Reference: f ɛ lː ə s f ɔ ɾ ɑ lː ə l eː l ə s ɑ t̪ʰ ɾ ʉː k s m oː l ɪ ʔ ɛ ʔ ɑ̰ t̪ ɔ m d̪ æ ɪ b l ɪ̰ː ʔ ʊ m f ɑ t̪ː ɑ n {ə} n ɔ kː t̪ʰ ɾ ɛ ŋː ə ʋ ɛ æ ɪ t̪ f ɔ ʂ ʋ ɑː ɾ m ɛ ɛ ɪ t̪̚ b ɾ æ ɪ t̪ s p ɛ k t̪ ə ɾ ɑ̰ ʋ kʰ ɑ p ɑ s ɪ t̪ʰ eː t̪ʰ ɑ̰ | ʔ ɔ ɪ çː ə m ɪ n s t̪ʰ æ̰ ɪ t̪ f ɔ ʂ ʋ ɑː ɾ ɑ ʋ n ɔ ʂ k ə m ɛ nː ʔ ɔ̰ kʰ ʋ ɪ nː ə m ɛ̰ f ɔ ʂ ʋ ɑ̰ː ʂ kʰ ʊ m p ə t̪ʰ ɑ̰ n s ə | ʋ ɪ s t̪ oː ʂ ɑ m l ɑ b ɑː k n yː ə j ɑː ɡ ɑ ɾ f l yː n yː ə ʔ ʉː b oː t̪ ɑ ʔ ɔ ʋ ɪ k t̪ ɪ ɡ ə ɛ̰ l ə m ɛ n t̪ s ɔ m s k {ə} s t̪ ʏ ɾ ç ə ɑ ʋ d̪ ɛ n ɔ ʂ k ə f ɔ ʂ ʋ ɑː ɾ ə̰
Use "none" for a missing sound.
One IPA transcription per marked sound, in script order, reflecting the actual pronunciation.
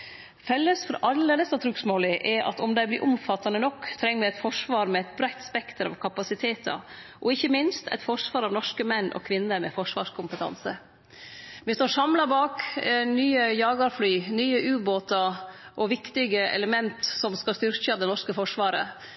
ə, ɑ

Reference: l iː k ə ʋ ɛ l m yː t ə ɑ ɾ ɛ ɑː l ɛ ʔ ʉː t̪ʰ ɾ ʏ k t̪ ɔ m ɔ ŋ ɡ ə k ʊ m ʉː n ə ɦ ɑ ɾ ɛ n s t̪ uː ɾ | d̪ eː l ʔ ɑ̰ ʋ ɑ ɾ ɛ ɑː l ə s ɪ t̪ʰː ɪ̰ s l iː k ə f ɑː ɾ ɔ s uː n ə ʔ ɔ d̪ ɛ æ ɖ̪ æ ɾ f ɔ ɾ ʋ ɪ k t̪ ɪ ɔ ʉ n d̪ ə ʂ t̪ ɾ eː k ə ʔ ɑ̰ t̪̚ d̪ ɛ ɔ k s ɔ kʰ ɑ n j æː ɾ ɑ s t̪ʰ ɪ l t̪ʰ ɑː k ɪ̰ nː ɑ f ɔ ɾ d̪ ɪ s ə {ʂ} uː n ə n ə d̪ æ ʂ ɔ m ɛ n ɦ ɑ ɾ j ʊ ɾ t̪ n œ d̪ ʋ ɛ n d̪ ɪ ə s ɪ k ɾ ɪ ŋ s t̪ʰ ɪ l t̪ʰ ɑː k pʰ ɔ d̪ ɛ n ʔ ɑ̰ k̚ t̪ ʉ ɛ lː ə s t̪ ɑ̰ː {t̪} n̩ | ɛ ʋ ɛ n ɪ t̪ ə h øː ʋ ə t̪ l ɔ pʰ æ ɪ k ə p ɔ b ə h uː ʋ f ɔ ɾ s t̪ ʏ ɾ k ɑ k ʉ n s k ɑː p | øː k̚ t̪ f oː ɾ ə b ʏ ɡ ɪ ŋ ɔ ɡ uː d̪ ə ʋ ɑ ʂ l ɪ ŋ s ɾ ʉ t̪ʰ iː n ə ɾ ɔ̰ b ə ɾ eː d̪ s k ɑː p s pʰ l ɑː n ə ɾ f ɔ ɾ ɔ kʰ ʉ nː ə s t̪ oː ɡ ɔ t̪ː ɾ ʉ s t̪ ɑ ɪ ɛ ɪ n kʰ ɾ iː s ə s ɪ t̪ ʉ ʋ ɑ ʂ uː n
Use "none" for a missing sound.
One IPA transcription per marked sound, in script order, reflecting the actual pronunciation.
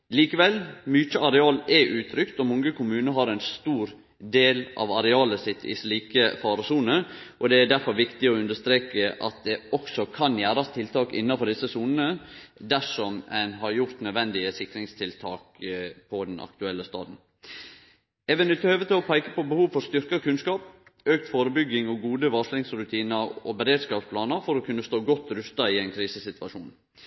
s, d̪

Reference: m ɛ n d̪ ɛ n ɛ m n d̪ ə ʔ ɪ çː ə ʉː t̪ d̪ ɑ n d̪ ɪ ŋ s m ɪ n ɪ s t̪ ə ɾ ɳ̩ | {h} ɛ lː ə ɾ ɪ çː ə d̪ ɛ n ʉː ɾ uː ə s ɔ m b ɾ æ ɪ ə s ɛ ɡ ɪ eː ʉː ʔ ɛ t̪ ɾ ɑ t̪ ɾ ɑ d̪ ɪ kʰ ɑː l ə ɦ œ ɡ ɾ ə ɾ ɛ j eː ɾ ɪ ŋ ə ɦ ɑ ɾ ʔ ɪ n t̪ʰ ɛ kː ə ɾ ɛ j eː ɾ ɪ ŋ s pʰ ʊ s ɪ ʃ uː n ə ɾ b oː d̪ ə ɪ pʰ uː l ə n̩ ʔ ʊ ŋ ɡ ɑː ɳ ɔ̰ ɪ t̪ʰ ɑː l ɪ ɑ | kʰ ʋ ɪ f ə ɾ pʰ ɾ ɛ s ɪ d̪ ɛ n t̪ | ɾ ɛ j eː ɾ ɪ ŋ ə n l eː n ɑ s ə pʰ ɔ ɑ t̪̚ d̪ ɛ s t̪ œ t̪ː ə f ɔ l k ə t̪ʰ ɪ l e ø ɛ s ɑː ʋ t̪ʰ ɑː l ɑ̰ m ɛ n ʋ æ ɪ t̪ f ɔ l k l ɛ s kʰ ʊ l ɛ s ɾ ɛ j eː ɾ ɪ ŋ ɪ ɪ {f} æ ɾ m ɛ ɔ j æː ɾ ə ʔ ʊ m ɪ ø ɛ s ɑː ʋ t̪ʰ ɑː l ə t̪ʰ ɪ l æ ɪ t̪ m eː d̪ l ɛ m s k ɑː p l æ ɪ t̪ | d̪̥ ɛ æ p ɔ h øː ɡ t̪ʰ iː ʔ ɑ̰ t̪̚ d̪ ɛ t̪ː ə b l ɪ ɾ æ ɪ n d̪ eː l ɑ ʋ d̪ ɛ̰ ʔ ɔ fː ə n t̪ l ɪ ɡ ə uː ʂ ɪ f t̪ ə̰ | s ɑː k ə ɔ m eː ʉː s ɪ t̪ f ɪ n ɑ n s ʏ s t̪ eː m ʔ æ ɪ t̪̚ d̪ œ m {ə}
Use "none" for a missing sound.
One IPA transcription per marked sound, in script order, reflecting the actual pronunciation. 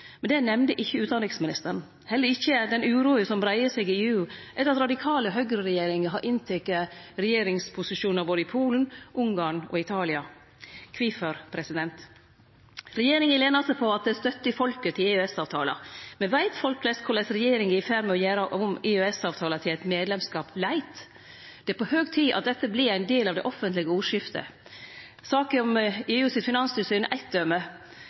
h, f, ə

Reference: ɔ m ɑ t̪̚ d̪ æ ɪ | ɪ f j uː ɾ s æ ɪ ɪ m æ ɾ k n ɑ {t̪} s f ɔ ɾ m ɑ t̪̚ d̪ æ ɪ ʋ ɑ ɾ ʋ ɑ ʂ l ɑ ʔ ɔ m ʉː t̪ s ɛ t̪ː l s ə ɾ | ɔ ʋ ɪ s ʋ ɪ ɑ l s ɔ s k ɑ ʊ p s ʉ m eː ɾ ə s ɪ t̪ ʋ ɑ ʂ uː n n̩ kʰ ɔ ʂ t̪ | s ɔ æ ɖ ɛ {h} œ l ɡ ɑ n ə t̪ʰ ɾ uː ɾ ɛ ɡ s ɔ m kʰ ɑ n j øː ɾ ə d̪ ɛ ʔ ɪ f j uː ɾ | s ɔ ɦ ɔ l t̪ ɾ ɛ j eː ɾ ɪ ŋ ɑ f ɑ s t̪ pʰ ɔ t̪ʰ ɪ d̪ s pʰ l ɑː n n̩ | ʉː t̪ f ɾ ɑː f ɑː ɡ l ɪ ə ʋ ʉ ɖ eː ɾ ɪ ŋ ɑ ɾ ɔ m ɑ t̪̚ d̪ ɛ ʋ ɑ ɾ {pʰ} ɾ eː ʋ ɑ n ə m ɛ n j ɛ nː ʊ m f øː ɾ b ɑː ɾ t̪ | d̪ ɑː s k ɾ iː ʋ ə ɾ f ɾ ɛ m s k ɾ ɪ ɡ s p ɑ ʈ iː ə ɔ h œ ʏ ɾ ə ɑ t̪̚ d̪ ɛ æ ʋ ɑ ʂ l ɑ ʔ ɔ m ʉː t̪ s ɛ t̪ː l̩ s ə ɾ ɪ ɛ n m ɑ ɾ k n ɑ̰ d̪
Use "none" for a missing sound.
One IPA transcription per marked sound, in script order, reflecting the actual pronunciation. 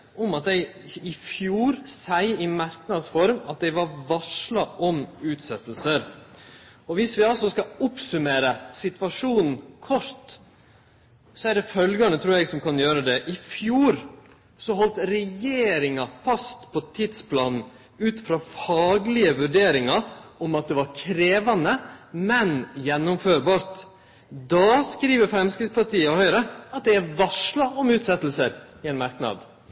d̪, f, kʰ

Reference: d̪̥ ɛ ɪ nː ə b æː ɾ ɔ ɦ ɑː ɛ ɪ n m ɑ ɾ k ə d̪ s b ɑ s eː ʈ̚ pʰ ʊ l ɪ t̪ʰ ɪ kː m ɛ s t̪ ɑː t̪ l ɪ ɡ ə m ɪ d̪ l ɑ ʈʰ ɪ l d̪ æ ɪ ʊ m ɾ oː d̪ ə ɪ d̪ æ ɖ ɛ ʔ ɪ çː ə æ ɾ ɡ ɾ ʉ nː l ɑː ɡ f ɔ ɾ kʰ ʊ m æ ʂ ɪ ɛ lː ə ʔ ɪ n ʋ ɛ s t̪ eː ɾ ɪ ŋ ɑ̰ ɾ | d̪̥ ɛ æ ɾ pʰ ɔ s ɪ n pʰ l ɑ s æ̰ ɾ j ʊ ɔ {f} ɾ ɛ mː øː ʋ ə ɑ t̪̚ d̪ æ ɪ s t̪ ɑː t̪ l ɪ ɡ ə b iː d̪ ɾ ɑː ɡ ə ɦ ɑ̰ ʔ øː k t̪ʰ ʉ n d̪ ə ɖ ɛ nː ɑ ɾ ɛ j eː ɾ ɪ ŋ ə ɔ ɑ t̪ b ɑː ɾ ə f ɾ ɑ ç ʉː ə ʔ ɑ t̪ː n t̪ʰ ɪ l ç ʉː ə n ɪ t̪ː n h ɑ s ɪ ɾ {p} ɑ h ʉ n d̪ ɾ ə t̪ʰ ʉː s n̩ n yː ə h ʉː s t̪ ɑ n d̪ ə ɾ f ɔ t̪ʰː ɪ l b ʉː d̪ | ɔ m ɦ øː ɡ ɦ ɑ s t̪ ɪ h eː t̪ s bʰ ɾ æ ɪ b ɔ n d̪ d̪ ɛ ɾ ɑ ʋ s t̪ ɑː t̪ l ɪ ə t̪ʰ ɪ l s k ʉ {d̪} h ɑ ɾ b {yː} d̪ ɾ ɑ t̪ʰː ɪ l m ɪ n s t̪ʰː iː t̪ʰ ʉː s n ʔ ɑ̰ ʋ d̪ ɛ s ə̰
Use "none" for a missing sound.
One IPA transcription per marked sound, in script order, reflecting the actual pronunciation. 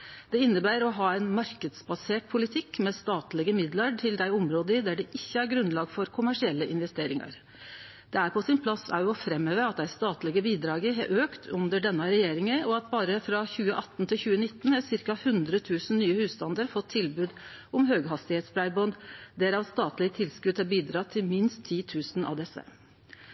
f, k, d̪, iː

